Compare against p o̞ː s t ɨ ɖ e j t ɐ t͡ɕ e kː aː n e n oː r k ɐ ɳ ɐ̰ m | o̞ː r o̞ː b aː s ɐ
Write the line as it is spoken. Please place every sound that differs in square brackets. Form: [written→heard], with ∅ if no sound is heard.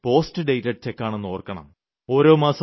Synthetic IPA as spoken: p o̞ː s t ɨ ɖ e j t ɐ t͡ɕ e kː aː [n→ɳ] e [n→nː] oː r k ɐ ɳ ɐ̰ m | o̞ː [r→ɾ] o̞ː [b→m] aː s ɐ

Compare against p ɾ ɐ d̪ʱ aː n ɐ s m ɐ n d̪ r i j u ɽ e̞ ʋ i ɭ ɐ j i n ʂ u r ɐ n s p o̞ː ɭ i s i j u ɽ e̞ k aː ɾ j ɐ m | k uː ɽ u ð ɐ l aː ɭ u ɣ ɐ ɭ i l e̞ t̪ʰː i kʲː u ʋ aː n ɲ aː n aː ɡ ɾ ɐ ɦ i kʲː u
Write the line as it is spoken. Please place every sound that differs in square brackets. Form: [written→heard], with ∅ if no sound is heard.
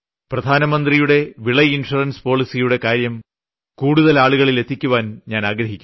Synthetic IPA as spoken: p [ɾ→r] ɐ d̪ʱ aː n ɐ [s→∅] m ɐ n d̪ r i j u ɽ e̞ ʋ i ɭ ɐ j i n ʂ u r ɐ n s p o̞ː ɭ i s i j u ɽ e̞ k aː ɾ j ɐ m | k uː ɽ u ð ɐ l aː ɭ u ɣ ɐ ɭ i l e̞ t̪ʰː i kʲː u ʋ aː n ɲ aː n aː ɡ ɾ ɐ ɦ i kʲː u

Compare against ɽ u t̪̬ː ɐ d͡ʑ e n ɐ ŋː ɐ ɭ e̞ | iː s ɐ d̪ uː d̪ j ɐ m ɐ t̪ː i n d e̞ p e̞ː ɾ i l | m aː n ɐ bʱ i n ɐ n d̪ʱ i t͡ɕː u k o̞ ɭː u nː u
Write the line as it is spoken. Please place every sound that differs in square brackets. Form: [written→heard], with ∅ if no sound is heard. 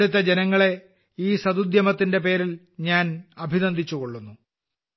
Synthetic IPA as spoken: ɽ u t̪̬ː ɐ d͡ʑ e n ɐ ŋː ɐ ɭ e̞ | iː s ɐ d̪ [uː→u] d̪ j ɐ m ɐ t̪ː i n d e̞ p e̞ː ɾ i l | [m→ɲ] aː n ɐ bʱ i n ɐ n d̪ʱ i t͡ɕː u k o̞ ɭː u nː u

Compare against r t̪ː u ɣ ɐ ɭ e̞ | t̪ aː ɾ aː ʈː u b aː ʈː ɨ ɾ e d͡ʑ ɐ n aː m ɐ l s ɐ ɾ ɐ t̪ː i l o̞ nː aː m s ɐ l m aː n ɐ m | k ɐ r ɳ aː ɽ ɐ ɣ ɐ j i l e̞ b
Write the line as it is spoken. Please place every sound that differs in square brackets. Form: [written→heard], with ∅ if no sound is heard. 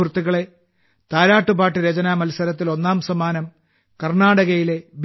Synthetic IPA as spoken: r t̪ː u ɣ ɐ ɭ e̞ | t̪ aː ɾ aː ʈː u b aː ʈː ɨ ɾ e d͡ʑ ɐ n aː m ɐ l s ɐ ɾ ɐ t̪ː i l o̞ nː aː m s ɐ [l→∅] m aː n ɐ m | k ɐ r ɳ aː ɽ ɐ ɣ ɐ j i l e̞ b

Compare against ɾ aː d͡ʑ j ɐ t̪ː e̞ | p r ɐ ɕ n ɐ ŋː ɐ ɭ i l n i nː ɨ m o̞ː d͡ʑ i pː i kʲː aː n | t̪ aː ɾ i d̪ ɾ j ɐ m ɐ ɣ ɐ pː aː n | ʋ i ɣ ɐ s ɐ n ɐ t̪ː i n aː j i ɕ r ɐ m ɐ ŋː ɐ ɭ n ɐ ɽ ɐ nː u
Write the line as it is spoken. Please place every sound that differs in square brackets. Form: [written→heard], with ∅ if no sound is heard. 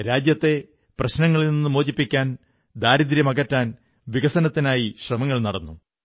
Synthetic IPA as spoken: ɾ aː d͡ʑ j ɐ t̪ː e̞ | p r ɐ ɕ n ɐ ŋː ɐ ɭ i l n i nː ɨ m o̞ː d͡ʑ i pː i kʲː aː n | [t̪→d̪] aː ɾ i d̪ ɾ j ɐ m ɐ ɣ ɐ [pː→tː] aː n | ʋ i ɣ ɐ s ɐ n ɐ t̪ː i n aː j i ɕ r ɐ m ɐ ŋː ɐ ɭ n ɐ ɽ ɐ nː u

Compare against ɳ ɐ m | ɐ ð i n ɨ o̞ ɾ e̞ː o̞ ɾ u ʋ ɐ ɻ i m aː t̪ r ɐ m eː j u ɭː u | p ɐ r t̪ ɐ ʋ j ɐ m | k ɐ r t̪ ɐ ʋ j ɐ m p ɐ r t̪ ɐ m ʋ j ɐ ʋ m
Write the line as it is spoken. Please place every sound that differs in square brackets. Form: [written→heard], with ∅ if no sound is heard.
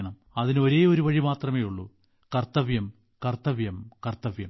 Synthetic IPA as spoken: ɳ ɐ m | ɐ ð i n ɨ o̞ ɾ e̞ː o̞ ɾ u ʋ ɐ ɻ i m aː t̪ r ɐ m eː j u ɭː u | [p→k] ɐ r t̪ ɐ ʋ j ɐ m | k ɐ r t̪ ɐ ʋ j ɐ m [p→k] ɐ r t̪ ɐ [m→∅] ʋ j ɐ [ʋ→∅] m

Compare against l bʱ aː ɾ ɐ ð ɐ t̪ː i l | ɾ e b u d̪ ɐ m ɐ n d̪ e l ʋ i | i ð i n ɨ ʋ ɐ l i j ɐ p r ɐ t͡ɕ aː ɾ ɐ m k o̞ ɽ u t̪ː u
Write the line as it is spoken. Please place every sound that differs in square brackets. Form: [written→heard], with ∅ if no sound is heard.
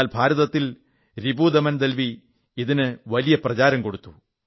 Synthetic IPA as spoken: l bʱ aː ɾ ɐ ð ɐ t̪ː i l | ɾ [e→i] b u d̪ ɐ m ɐ n d̪ e l ʋ i | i ð i n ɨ ʋ ɐ l i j ɐ p r ɐ t͡ɕ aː ɾ ɐ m k o̞ ɽ u t̪ː u

